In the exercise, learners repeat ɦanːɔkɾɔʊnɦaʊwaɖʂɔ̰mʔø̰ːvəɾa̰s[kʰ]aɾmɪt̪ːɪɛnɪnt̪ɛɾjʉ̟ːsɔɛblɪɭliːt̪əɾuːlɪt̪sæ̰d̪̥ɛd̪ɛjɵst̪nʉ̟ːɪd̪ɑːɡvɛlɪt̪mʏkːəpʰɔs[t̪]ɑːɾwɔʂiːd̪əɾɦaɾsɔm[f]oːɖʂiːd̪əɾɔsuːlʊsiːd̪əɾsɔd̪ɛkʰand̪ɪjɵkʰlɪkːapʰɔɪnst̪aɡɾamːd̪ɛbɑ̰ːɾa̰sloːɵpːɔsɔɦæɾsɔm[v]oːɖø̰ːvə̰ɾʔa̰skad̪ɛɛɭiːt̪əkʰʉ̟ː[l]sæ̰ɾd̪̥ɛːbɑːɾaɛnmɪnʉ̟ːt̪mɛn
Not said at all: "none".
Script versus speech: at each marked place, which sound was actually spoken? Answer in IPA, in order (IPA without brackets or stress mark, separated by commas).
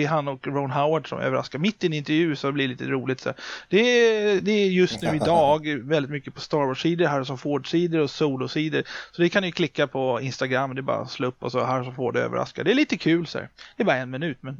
k, t̪, f, f, l